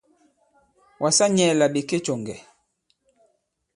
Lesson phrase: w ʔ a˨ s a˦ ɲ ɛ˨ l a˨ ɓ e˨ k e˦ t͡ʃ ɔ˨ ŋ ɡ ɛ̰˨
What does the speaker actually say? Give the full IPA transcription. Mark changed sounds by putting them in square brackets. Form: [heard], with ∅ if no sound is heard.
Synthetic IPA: w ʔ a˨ s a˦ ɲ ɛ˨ l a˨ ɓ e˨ k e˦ t͡ʃ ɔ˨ ŋ ɡ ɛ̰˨